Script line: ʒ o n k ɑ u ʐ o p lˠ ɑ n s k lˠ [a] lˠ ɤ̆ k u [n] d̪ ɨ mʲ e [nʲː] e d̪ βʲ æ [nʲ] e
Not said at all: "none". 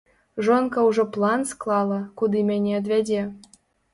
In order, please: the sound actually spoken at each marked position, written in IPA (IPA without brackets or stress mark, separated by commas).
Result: ɑ, none, nʲ, dʲ